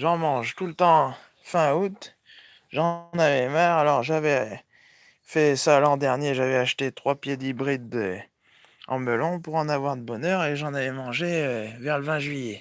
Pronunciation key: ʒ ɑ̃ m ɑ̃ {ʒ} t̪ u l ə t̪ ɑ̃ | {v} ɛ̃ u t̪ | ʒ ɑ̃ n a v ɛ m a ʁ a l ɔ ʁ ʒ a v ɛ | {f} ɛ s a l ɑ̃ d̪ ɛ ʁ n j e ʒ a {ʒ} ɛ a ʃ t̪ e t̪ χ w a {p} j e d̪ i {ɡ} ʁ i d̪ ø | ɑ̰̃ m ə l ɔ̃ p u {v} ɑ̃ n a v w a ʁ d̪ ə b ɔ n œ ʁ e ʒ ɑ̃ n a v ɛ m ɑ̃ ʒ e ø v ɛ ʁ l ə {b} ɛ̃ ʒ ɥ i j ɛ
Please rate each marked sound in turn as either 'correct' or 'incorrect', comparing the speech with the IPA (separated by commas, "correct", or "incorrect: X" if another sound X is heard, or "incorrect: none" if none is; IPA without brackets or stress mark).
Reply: correct, incorrect: f, correct, incorrect: v, correct, incorrect: b, incorrect: ʁ, incorrect: v